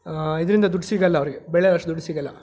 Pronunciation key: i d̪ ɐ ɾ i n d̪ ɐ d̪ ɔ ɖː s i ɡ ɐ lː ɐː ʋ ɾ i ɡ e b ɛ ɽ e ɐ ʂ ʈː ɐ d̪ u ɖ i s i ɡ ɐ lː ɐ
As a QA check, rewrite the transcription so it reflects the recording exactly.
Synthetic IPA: i d̪ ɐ ɾ i n d̪ ɐ d̪ u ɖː s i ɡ ɐ lː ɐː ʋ ɾ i ɡ e b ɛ ɭ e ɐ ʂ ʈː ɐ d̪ u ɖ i s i ɡ ɐ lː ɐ